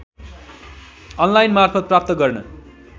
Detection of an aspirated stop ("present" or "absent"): present